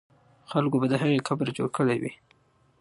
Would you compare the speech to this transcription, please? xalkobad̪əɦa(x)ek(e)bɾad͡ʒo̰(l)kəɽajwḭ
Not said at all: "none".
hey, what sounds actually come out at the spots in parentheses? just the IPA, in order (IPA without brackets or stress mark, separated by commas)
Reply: ɣ, a, ɽ